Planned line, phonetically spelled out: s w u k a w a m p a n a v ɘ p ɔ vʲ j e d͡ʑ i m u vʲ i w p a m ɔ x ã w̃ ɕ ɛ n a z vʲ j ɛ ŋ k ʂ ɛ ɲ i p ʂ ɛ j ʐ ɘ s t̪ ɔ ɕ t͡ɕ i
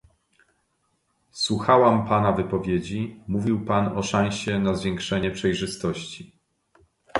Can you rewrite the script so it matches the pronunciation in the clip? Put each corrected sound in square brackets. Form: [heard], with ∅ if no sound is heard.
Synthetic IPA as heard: s w u [x] a w a m p a n a v ɘ p ɔ vʲ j e d͡ʑ i m u vʲ i w p a [n] ɔ [ʂ] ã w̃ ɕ ɛ n a z vʲ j ɛ ŋ k ʂ ɛ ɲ [ɛ] p ʂ ɛ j ʐ ɘ s t̪ ɔ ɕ t͡ɕ i